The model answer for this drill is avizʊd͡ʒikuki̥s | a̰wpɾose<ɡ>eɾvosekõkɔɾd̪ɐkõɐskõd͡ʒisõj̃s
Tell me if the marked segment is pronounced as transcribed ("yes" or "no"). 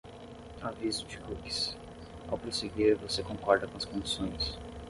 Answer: yes